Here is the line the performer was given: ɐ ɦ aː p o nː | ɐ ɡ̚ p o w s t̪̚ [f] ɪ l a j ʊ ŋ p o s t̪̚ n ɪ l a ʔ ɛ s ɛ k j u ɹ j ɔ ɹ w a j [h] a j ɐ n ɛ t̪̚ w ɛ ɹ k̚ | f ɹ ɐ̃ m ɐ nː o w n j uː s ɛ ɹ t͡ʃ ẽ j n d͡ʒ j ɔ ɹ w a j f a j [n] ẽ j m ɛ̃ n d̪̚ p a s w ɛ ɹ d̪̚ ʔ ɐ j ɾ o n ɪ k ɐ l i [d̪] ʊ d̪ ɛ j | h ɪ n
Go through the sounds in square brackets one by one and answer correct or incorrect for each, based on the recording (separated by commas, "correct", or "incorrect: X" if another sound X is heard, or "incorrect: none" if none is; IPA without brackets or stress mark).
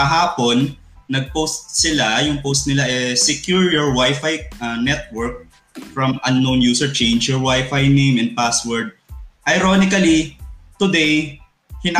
incorrect: s, incorrect: f, correct, incorrect: t̪